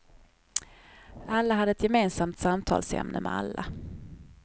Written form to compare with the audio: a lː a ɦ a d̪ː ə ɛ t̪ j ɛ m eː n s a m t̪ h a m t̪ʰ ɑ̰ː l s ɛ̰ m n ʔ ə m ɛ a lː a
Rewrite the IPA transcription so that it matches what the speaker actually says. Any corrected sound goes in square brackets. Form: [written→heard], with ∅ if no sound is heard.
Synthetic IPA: a lː a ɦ a d̪ː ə ɛ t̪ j ɛ m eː n s a m t̪ [h→s] a m t̪ʰ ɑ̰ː l s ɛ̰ m n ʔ ə m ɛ a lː a